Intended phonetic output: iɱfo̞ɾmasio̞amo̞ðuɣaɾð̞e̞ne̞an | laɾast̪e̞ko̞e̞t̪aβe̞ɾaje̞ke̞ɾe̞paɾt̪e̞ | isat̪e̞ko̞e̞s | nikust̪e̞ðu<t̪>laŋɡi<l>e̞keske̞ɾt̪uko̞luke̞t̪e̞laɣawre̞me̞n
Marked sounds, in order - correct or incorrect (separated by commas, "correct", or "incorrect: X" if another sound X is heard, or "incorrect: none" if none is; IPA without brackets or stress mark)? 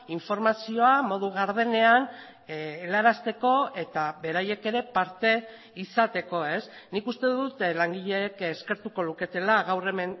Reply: correct, incorrect: ʎ